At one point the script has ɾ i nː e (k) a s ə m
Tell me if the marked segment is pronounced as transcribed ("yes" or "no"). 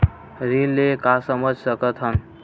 yes